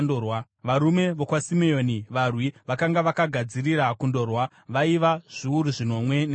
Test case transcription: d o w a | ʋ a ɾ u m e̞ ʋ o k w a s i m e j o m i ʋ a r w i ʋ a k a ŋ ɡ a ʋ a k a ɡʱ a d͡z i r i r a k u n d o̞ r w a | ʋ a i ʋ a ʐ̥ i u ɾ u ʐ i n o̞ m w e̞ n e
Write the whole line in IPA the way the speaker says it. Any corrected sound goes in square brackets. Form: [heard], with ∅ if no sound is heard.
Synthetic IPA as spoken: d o w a | ʋ a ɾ u m e̞ ʋ o k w a s i m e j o [n] i ʋ a r w i ʋ a k a ŋ ɡ a ʋ a k a ɡʱ a d͡z i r i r a k u n d o̞ r w a | ʋ a i ʋ a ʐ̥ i u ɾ u ʐ i n o̞ m w e̞ n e